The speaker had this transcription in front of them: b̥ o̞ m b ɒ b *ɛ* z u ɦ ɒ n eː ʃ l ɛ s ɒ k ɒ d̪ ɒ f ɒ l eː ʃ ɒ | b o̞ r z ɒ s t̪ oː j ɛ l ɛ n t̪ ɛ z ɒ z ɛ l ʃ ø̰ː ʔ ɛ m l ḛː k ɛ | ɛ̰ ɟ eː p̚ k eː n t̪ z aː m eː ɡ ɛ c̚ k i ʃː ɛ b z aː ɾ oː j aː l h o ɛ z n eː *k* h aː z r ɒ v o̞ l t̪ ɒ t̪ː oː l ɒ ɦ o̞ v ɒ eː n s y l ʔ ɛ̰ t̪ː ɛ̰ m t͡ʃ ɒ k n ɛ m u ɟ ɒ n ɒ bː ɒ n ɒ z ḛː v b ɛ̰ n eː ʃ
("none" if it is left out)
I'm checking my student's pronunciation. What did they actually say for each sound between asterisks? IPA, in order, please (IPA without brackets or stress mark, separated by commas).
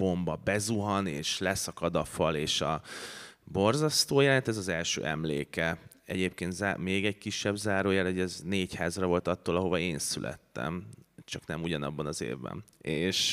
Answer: ɛ, c